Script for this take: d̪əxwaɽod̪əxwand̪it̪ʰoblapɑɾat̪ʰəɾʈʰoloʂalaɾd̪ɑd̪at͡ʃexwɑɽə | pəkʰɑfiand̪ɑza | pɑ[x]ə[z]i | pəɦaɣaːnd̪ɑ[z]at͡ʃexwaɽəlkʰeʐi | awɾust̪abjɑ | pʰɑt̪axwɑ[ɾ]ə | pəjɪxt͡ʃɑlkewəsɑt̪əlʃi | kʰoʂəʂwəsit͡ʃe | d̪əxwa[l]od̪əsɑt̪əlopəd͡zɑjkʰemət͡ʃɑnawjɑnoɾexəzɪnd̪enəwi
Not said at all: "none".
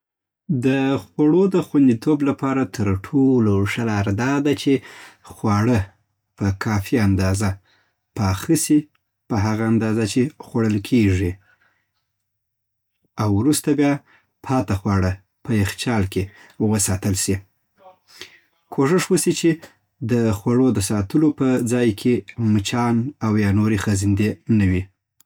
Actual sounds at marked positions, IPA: x, s, z, ɽ, ɽ

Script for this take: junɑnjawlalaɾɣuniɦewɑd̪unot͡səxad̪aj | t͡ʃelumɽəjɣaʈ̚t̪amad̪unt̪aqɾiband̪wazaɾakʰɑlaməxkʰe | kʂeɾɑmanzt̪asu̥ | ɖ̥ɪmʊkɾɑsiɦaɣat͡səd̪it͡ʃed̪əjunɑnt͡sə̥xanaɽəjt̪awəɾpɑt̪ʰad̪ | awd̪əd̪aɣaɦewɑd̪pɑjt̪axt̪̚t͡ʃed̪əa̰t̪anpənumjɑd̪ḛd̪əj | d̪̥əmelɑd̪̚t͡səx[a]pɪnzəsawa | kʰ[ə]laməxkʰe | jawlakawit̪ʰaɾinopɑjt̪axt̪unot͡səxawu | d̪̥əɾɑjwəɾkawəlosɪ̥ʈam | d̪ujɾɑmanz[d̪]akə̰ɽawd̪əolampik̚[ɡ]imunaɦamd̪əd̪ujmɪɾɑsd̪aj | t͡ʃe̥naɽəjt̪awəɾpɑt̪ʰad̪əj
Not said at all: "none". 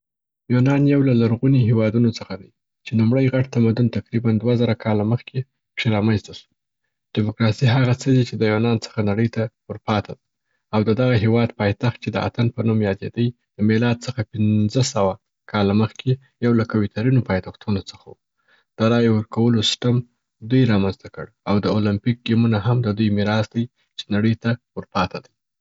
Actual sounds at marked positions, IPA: a, ɑ, t̪, ɡ

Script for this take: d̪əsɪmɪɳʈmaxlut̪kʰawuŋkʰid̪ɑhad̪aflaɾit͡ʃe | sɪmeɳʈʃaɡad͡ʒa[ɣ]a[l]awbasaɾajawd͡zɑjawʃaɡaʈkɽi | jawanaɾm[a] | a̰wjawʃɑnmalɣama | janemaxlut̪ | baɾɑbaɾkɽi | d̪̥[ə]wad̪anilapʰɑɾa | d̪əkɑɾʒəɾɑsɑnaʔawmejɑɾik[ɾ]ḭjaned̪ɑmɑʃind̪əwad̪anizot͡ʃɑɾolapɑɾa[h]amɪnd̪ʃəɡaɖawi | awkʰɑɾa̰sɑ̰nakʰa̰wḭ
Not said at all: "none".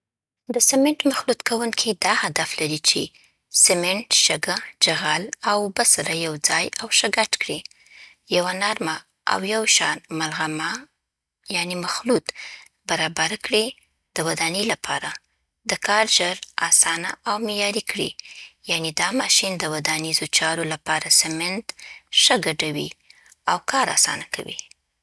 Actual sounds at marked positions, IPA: ɣ, l, a, ə, ɽ, s

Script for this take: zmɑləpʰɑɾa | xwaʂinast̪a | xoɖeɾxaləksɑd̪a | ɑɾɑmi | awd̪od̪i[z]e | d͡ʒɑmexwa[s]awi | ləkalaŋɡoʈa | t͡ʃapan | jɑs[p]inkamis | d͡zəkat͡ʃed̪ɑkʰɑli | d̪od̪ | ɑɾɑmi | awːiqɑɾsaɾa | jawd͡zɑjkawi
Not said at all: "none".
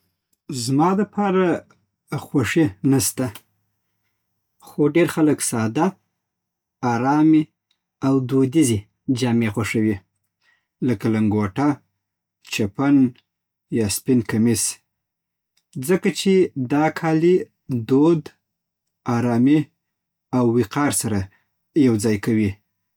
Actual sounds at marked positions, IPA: z, ʂ, p

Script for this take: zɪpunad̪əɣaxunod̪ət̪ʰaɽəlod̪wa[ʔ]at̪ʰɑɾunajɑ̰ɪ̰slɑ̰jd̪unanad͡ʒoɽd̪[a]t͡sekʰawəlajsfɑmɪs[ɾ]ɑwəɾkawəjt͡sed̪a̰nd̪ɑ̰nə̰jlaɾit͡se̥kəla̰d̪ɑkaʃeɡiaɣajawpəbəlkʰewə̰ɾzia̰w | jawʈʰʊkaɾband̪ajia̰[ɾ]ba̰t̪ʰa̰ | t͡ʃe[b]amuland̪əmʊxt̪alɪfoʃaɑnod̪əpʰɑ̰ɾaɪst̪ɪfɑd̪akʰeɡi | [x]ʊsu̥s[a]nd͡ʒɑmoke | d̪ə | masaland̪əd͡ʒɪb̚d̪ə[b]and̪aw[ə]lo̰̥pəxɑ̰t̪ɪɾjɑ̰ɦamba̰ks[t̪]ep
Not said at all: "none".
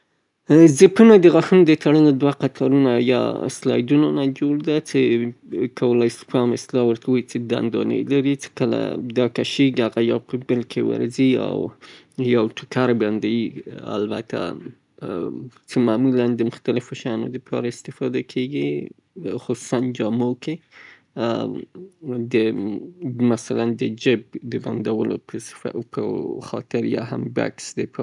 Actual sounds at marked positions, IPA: q, a, l, l, m, x, a, b, ə, d̪

